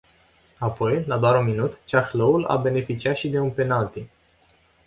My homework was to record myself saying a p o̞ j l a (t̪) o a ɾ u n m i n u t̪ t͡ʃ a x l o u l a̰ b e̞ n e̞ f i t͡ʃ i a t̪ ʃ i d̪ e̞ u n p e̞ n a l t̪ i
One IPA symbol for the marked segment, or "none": d̪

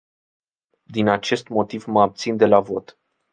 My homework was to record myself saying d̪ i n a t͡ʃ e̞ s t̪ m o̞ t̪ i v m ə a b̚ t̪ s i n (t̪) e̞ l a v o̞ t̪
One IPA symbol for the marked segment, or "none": d̪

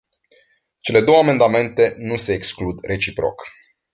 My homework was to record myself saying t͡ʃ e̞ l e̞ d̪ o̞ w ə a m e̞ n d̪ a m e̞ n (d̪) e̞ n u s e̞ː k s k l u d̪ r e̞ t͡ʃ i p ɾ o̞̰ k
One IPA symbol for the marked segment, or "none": t̪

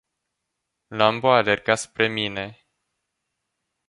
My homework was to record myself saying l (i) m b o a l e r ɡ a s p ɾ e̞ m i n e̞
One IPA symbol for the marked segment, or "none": a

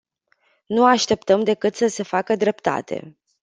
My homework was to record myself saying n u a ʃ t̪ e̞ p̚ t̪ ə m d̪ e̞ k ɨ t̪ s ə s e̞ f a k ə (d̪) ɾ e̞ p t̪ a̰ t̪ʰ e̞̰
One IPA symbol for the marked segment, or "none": d̪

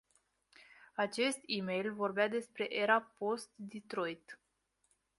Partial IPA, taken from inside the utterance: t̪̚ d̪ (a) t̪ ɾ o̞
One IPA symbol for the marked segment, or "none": i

